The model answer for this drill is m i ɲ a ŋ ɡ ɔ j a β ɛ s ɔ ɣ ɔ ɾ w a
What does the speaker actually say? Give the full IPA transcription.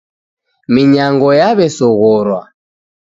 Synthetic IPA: m i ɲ a ŋ ɡ ɔ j a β ɛ s ɔ ɣ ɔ ɾ w a